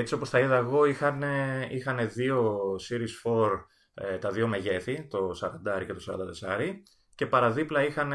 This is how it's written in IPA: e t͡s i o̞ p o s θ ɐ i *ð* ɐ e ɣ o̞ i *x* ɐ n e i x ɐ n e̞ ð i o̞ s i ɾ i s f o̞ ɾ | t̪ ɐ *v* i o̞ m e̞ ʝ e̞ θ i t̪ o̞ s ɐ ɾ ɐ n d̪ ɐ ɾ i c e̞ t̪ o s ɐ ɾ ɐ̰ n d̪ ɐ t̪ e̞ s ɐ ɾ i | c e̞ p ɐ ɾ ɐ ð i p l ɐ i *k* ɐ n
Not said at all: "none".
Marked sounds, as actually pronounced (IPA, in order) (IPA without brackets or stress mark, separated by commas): ð, x, ð, x